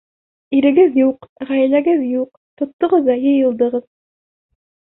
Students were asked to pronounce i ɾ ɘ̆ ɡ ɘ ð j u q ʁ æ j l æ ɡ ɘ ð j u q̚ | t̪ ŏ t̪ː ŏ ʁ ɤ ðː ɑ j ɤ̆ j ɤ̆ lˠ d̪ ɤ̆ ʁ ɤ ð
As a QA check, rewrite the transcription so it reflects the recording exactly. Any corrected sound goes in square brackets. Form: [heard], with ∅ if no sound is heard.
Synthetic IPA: i ɾ ɘ̆ ɡ ɘ ð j u q ʁ æ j l æ ɡ ɘ ð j u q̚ | t̪ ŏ t̪ː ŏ ʁ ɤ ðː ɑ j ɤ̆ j ɤ̆ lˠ d̪ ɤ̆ ʁ ɤ ð